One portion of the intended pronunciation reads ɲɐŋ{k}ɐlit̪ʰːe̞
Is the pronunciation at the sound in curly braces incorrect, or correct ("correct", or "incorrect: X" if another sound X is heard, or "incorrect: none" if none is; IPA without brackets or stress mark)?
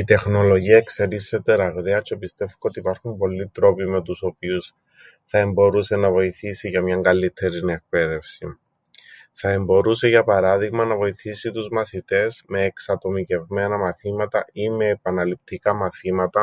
incorrect: ɡ